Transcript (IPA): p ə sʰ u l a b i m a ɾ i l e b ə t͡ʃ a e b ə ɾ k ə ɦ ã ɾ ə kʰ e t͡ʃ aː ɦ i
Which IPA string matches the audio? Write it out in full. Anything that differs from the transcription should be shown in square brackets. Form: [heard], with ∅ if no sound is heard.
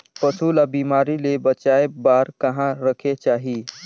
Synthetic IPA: p ə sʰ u l a b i m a ɾ i l e b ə t͡ʃ a e b [a] ɾ k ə ɦ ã ɾ ə kʰ e t͡ʃ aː ɦ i